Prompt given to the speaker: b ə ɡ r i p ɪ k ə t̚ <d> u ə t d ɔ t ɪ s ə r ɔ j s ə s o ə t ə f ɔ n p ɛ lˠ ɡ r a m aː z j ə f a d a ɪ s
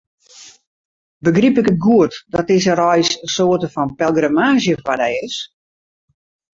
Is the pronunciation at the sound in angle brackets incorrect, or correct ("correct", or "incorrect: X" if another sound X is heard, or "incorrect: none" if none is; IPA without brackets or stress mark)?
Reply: incorrect: ɡ